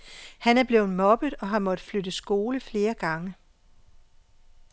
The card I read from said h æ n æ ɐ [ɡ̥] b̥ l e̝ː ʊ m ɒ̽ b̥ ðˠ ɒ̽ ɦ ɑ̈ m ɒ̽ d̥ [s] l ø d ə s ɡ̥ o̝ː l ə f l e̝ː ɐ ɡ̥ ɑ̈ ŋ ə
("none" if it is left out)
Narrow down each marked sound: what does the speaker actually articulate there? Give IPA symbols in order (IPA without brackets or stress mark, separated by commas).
none, f